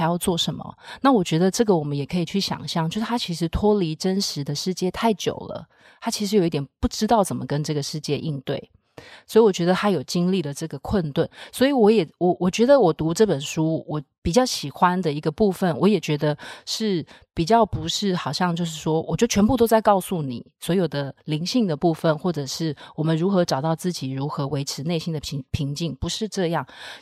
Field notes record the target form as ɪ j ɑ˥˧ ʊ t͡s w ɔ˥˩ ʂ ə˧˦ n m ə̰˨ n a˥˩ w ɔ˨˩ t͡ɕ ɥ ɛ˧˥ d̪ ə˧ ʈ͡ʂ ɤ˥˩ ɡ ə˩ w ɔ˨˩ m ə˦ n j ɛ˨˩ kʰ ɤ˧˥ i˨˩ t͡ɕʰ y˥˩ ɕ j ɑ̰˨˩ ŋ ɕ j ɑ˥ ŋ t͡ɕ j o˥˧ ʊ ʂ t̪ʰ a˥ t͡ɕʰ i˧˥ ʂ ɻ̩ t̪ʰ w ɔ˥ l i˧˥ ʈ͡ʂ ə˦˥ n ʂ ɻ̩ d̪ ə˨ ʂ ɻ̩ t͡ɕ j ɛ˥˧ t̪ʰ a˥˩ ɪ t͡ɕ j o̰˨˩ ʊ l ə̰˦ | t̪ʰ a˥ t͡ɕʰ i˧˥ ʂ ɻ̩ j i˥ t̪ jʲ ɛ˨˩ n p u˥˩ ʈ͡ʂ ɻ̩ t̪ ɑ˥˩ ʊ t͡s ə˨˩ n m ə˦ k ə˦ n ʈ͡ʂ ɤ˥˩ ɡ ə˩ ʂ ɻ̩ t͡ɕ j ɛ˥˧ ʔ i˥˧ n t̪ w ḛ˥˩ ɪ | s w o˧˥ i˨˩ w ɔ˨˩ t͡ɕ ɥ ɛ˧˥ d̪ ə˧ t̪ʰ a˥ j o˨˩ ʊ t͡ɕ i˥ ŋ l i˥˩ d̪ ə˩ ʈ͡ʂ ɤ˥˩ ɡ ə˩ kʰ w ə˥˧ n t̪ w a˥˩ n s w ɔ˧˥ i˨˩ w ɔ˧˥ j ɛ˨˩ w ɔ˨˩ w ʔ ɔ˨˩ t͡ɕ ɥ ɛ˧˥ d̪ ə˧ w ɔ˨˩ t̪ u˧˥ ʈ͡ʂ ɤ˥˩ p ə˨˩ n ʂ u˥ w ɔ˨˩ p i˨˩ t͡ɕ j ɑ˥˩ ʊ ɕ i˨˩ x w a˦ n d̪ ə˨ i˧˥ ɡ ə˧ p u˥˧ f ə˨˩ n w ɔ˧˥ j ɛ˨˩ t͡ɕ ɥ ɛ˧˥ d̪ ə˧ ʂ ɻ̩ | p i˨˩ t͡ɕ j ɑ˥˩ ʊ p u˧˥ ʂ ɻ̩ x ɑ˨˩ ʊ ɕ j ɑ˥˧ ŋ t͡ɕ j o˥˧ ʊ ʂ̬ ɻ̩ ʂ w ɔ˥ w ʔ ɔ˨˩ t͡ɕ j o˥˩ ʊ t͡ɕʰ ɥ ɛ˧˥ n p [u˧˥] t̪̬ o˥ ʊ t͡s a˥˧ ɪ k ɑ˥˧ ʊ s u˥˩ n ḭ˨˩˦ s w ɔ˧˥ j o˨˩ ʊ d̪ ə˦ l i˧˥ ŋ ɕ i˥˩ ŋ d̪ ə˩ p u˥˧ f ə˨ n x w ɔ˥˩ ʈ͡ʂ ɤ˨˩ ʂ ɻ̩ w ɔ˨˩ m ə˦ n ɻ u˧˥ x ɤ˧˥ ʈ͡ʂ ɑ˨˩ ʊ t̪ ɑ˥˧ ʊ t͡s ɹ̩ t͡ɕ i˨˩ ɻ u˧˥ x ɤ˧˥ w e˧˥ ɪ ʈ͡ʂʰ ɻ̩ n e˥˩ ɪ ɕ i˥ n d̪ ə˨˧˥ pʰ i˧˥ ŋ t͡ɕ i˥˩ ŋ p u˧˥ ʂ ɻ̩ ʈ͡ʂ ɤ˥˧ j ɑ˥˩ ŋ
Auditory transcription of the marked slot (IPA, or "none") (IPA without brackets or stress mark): u˥˧